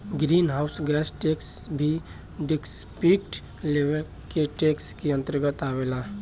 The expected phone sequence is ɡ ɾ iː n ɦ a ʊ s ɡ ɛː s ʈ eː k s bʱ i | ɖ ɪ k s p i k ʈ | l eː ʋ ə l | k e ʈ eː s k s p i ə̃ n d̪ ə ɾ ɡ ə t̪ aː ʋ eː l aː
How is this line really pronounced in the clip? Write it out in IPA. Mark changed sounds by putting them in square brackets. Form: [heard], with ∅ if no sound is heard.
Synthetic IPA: ɡ ɾ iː n ɦ a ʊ s ɡ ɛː s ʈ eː k s bʱ i | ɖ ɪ k s p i k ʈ | l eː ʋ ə l | k e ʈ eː [∅] k s [k] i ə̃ n [t̪] ə ɾ ɡ ə t̪ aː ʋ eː l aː